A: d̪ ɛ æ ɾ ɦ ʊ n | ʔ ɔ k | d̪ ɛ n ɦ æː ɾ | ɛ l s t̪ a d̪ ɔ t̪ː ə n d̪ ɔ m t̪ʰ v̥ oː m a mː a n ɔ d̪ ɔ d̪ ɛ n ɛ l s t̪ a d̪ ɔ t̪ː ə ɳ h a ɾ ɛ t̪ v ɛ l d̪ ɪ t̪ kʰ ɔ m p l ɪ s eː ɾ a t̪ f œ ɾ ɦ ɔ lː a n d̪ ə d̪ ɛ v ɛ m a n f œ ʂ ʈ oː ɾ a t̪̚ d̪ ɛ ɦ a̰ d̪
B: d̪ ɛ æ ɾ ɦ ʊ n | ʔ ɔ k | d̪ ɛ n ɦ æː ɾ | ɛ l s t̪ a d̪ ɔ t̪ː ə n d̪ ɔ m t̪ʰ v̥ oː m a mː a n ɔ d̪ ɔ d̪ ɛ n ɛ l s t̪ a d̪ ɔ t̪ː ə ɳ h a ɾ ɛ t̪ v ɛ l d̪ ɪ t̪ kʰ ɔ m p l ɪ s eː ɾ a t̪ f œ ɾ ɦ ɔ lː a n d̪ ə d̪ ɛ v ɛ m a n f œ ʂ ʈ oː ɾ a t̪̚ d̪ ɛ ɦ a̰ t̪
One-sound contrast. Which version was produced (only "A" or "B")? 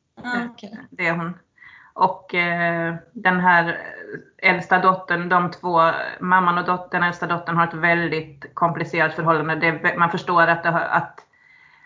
B